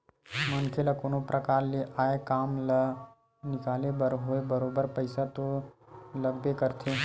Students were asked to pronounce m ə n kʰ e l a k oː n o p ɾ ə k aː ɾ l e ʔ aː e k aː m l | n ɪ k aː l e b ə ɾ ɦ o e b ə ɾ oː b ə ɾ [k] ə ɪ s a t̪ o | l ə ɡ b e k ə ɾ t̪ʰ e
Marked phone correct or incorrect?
incorrect